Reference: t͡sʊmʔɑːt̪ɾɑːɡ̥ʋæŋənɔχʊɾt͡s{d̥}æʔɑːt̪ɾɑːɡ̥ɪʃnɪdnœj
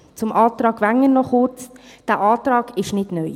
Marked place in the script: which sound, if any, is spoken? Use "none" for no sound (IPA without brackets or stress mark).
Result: d̥